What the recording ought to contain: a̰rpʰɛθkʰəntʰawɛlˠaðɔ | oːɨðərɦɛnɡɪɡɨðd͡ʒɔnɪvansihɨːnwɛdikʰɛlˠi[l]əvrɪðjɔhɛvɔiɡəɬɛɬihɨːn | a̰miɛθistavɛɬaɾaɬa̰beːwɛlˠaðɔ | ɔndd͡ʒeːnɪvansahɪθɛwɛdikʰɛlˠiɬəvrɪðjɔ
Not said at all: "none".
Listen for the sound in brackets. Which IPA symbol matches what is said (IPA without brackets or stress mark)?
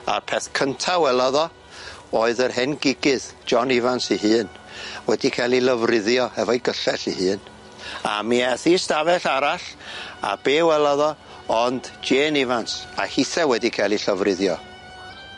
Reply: l